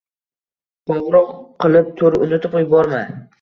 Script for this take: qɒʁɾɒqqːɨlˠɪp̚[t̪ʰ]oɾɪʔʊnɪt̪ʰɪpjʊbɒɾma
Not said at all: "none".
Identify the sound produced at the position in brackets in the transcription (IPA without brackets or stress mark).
t̪ʰ